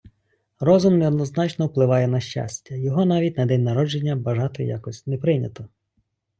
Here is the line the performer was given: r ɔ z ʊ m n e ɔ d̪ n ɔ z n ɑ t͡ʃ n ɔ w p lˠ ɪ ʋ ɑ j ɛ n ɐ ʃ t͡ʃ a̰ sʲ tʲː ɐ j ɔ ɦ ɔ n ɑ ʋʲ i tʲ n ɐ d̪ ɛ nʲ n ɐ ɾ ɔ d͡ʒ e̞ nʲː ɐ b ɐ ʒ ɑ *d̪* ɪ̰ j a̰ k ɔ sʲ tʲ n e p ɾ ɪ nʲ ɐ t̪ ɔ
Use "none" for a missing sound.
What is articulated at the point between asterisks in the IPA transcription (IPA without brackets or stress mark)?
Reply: t̪